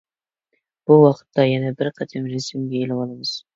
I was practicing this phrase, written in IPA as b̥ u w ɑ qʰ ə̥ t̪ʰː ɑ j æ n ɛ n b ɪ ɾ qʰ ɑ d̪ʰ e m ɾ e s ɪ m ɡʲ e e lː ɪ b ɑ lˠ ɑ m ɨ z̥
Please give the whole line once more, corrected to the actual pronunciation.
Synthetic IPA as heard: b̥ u w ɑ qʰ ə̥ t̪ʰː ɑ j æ n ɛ b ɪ ɾ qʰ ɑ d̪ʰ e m ɾ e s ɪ m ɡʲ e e l ɪ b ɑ lˠ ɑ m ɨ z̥